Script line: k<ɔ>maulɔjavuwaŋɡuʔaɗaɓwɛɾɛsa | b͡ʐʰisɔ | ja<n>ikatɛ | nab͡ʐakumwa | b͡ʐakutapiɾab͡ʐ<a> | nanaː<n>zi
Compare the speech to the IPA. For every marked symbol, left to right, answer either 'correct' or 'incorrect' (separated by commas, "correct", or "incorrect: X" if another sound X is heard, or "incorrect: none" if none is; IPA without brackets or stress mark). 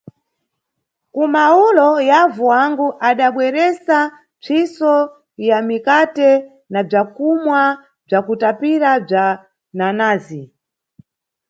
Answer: incorrect: u, incorrect: m, correct, incorrect: none